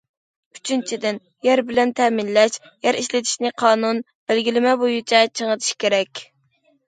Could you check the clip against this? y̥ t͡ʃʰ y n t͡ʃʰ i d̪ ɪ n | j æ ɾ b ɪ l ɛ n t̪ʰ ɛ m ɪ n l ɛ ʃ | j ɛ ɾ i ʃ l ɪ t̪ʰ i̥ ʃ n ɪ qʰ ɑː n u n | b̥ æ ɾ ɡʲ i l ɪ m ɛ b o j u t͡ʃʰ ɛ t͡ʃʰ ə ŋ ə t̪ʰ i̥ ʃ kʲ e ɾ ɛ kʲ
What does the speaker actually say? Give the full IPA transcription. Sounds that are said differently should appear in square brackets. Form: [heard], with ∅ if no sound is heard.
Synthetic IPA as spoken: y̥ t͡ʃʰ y n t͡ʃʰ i d̪ ɪ n | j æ ɾ b ɪ l ɛ n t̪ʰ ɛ m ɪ n l ɛ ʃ | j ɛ ɾ i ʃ l ɪ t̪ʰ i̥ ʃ n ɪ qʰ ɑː n u n | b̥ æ [l] ɡʲ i l ɪ m ɛ b o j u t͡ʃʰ ɛ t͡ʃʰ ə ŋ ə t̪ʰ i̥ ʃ kʲ e ɾ ɛ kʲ